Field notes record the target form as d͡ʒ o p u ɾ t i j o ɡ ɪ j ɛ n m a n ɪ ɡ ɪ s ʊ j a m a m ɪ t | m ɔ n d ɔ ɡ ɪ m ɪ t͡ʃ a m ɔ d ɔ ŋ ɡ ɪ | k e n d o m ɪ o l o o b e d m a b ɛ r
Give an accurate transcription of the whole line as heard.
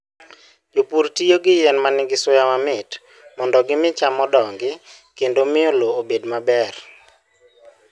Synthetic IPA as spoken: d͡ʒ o p u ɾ t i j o ɡ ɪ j ɛ n m a n ɪ ɡ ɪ s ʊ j a m a m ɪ t | m ɔ n d ɔ ɡ ɪ m ɪ t͡ʃ a m ɔ d ɔ ŋ ɡ ɪ | k e n d o m ɪ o l o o b e d m a b ɛ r

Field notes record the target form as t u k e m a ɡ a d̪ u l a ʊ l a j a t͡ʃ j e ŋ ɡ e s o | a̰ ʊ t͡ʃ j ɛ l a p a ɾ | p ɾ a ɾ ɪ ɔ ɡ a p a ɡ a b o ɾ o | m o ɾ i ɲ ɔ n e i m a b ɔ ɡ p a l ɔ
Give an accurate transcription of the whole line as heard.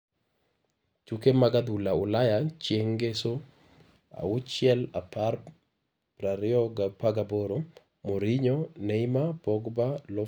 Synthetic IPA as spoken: t͡ʃ u k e m a ɡ a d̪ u l a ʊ l a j a t͡ʃ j e ŋ ɡ e s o | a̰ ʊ t͡ʃ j ɛ l a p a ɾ | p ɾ a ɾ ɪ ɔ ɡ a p a ɡ a b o ɾ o | m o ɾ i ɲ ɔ n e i m a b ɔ ɡ b a l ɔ

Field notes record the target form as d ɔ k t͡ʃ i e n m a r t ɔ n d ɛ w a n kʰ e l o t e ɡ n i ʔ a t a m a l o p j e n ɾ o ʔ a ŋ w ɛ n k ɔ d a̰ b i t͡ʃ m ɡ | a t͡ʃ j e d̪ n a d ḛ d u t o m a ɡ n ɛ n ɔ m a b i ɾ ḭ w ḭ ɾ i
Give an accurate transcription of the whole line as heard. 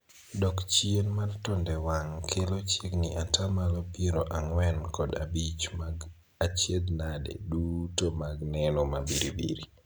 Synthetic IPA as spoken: d ɔ k t͡ʃ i e n m a r t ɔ n d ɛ w a ŋ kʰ e l o t͡ʃ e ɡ n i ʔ a t a m a l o p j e ɾ o ʔ a ŋ w ɛ n k ɔ d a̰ b i t͡ʃ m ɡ | a t͡ʃ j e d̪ n a d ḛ d u t o m a ɡ n ɛ n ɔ m a b i ɾ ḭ b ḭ ɾ i

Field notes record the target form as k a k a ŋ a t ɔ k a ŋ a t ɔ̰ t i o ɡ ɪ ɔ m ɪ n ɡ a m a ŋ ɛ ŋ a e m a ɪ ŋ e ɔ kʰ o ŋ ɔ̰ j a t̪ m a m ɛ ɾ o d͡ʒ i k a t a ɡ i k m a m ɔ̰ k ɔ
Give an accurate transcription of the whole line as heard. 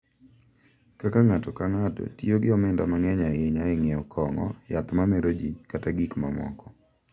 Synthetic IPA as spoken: k a k a ŋ a t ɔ k a ŋ a t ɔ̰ t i o ɡ ɪ ɔ m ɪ n d a m a ŋ ɛ ɲ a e ɲ a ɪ ŋ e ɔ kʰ ɔ ŋ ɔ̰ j a t̪ m a m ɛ ɾ o d͡ʒ i k a t a ɡ i k m a m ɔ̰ k ɔ

